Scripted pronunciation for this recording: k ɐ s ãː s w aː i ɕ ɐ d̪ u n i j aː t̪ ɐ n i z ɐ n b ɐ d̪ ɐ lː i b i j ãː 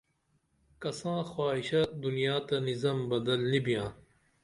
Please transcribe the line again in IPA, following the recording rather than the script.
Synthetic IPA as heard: k ɐ s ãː x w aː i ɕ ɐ d̪ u n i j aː t̪ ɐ n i z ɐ m b ɐ d̪ ɐ lː i b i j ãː